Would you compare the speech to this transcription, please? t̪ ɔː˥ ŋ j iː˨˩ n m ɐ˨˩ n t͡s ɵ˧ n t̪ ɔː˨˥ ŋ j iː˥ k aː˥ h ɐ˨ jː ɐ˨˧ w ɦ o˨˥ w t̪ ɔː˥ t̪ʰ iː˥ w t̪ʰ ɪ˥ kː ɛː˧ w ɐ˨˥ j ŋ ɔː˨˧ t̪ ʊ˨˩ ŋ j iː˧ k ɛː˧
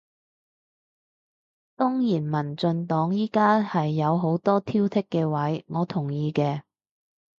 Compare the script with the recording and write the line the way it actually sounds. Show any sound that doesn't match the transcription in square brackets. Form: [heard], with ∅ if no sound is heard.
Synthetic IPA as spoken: t̪ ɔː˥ ŋ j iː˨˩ n m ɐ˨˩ n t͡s ɵ˧ n t̪ ɔː˨˥ ŋ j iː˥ k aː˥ h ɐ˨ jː ɐ˨˧ w ɦ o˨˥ w t̪ ɔː˥ t̪ʰ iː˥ w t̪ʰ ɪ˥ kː ɛː˧ w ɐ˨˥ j ŋ ɔː˨˧ [t̪ʰ] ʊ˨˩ ŋ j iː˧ k ɛː˧